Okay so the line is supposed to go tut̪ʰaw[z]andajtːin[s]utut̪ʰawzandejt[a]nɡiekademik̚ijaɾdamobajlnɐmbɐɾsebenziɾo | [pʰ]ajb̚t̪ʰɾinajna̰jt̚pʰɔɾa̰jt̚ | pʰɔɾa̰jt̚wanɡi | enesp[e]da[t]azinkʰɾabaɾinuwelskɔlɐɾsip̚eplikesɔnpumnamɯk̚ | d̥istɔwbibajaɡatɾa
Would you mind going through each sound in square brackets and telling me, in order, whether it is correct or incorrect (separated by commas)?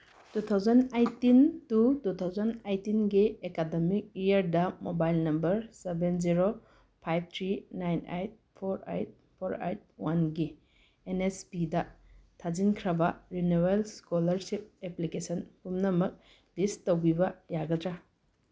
correct, incorrect, incorrect, correct, incorrect, incorrect